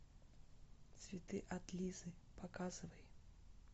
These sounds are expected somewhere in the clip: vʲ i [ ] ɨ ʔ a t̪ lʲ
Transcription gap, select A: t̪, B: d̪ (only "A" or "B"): A